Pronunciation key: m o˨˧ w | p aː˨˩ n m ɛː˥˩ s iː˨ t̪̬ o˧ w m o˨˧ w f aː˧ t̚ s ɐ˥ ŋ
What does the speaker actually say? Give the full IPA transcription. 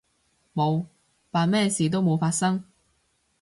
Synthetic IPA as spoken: m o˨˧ w | p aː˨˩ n m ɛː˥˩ s iː˨ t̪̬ o˥ w m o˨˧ w f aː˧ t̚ s ɐ˥ ŋ

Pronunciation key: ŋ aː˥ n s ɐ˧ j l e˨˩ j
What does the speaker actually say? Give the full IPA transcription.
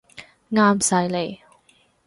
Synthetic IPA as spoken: ŋ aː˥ m s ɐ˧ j l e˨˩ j

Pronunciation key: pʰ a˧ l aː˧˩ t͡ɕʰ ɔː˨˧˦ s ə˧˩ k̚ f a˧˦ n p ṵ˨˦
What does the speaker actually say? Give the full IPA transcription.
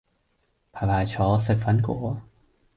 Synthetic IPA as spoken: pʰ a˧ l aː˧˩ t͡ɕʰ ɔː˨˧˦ s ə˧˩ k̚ f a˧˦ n k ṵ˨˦

